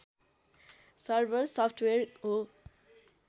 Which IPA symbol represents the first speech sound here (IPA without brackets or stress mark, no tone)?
s